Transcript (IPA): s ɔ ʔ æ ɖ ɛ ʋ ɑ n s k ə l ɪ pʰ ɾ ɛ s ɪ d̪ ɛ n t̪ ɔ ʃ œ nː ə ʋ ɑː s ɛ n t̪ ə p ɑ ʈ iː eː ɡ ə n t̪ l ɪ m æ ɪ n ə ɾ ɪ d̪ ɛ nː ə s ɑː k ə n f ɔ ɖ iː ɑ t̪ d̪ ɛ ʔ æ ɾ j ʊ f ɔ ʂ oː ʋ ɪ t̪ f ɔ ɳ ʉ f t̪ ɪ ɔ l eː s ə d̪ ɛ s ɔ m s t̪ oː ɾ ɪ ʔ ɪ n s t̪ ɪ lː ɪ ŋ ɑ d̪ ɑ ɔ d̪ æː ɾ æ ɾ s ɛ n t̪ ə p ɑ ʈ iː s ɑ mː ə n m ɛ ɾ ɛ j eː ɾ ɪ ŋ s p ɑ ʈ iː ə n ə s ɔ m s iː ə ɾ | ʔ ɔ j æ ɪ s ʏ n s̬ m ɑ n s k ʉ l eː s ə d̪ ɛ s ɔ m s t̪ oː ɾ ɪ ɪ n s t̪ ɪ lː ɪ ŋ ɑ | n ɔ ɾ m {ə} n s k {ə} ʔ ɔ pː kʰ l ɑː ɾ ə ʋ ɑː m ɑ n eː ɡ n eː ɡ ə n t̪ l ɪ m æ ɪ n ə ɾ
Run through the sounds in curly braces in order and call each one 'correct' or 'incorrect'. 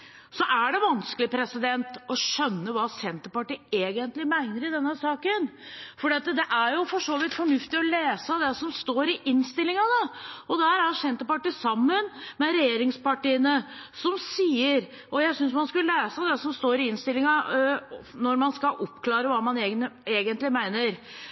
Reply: incorrect: ɑ, incorrect: ɑ

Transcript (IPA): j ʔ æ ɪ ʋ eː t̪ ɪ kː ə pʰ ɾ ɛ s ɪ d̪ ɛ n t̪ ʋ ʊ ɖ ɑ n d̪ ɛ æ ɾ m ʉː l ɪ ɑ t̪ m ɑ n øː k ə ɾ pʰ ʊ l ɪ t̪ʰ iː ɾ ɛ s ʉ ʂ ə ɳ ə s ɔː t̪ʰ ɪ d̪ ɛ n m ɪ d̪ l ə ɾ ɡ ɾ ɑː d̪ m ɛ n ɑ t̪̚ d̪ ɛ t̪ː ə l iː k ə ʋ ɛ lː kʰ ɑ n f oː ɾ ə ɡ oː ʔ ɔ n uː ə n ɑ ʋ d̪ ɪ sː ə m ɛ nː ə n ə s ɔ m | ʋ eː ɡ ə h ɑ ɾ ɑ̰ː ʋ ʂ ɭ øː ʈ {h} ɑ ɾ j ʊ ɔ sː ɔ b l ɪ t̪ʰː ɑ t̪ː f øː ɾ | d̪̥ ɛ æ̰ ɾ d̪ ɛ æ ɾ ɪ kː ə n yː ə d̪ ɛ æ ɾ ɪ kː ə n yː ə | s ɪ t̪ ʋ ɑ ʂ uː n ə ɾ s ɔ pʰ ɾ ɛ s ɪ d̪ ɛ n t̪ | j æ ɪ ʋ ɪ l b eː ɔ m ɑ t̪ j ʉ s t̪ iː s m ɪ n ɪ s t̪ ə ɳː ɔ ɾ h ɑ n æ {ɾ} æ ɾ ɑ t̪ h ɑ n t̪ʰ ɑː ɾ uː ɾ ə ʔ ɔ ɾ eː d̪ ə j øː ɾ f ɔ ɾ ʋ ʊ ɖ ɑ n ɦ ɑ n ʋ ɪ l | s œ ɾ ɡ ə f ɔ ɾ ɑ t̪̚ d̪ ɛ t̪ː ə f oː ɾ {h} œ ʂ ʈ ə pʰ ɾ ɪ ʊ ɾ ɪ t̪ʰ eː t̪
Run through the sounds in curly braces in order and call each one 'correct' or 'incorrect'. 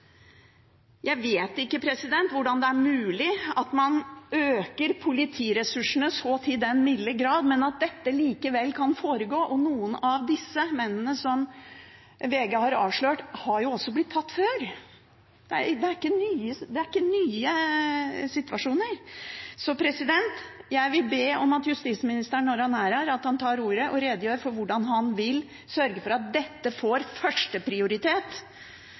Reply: correct, correct, incorrect: f

